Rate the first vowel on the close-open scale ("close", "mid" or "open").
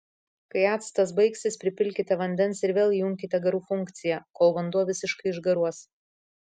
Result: open